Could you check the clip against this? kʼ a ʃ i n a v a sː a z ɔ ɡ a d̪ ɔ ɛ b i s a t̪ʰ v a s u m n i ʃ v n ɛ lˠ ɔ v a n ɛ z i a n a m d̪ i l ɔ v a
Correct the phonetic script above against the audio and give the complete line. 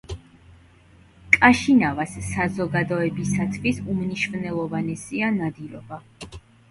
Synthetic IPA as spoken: kʼ a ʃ i n a v a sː a z ɔ ɡ a d̪ ɔ ɛ b i s a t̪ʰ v i s u m n i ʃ v n ɛ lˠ ɔ v a n ɛ s i a n a d̪ i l ɔ b a